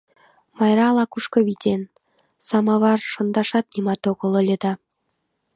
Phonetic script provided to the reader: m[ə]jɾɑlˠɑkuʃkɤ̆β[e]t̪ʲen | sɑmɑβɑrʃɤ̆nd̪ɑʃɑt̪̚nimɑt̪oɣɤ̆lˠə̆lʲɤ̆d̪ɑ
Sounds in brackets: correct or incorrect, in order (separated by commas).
incorrect, incorrect